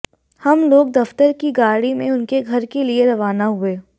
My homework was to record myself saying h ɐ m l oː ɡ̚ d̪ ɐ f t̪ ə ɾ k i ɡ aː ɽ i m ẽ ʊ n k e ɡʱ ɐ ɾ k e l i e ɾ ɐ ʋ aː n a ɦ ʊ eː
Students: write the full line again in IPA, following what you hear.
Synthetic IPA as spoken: h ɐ m l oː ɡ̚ d̪ ɐ f t̪ ə ɾ k i ɡ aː ɽ i m ẽ ʊ n k e ɡʱ ɐ ɾ k e l i e ɾ ɐ ʋ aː n a ɦ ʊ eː